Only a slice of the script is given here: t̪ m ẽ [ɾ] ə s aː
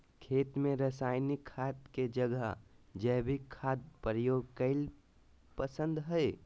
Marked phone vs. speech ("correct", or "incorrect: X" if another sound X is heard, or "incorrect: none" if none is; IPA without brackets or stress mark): correct